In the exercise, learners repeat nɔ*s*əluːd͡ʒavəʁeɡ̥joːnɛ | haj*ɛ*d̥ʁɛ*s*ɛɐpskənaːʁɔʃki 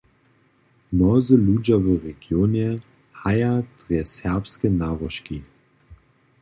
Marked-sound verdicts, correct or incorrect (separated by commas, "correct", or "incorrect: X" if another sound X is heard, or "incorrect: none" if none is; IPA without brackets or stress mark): incorrect: z, incorrect: a, correct